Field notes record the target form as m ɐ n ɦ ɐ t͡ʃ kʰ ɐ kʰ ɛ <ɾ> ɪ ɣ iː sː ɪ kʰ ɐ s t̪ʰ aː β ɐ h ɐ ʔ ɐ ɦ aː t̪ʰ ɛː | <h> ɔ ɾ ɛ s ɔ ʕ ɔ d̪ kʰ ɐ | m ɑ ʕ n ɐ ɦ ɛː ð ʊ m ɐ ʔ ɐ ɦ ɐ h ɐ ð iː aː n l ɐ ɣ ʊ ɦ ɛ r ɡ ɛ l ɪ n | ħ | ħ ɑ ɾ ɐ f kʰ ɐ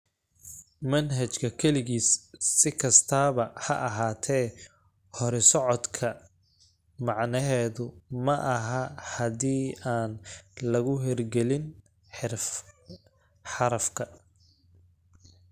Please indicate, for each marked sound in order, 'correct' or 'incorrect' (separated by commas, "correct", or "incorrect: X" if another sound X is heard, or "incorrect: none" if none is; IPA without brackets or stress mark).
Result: incorrect: l, correct